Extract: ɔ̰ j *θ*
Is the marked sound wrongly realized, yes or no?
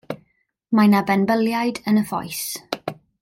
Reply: yes